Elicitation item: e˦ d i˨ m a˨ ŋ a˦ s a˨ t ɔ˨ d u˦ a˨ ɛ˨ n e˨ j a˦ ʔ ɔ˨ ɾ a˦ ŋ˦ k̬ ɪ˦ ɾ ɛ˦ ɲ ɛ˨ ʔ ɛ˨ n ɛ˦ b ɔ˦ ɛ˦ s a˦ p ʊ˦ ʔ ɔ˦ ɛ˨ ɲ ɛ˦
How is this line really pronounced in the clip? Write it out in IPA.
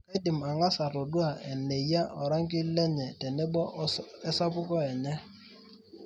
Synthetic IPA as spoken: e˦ d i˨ m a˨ ŋ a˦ s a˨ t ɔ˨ d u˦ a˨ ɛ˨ n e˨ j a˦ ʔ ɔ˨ ɾ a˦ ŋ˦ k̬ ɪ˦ l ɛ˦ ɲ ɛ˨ t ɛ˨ n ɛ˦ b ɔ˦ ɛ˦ s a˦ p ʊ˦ k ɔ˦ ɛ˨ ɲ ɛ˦